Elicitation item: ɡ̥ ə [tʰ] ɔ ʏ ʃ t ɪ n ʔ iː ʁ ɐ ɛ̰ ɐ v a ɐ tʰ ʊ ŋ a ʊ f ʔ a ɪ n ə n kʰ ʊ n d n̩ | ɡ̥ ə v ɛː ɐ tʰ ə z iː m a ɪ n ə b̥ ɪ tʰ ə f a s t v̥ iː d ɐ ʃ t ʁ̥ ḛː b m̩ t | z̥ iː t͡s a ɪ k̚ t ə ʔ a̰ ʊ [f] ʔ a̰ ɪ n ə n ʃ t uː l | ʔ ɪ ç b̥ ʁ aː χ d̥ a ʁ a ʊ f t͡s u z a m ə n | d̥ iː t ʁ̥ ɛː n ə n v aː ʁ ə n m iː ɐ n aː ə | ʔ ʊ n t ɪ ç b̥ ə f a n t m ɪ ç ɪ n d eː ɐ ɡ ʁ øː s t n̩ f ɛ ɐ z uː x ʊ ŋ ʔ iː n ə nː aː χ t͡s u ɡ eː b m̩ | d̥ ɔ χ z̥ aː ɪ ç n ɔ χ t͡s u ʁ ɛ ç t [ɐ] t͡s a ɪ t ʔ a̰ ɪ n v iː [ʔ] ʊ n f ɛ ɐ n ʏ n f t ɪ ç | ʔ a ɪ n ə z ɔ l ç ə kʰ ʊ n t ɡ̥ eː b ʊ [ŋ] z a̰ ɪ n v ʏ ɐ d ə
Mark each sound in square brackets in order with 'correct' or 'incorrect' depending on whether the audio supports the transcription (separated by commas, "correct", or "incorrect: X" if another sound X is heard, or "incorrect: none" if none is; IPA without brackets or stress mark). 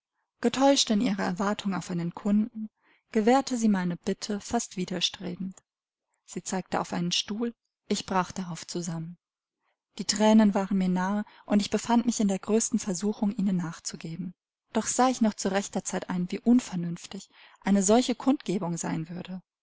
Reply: correct, correct, correct, correct, correct